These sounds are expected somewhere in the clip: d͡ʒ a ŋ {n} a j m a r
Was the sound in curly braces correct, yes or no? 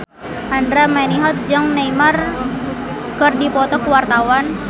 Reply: yes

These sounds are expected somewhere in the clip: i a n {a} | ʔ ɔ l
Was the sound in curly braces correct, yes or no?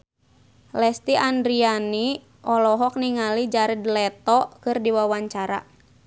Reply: no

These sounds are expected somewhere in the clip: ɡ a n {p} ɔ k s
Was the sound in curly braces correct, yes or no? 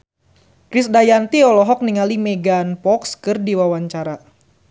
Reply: yes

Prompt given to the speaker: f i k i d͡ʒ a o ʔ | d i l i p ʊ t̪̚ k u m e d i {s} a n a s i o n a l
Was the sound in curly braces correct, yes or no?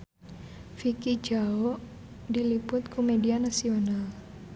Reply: no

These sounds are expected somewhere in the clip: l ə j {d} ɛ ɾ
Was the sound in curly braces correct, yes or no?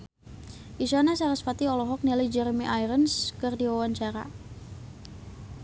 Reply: no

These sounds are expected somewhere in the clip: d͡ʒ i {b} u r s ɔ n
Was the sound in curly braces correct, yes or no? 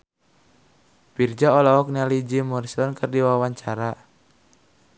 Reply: no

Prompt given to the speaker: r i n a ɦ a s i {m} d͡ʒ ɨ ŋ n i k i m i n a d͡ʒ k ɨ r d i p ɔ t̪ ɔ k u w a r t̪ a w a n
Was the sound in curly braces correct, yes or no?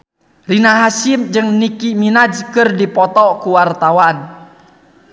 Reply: yes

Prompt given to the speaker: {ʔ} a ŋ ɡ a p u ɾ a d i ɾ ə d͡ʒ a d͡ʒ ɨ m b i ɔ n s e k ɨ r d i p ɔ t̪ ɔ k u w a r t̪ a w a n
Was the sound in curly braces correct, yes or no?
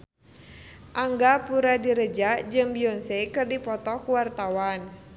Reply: yes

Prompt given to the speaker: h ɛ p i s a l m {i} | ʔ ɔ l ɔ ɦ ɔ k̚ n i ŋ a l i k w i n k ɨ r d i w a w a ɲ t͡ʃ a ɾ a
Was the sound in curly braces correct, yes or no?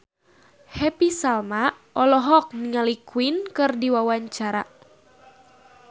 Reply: no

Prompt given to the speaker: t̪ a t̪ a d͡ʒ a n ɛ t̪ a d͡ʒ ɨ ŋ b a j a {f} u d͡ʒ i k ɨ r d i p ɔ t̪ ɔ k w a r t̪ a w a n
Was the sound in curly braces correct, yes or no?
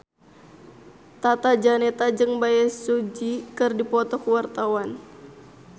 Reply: no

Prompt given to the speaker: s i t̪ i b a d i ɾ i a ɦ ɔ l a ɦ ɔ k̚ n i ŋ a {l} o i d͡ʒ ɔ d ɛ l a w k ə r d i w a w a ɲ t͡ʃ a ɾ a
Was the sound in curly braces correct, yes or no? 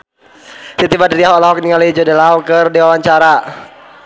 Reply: yes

